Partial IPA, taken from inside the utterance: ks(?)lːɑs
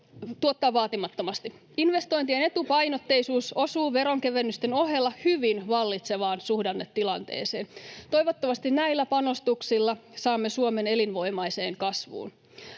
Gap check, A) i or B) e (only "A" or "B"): A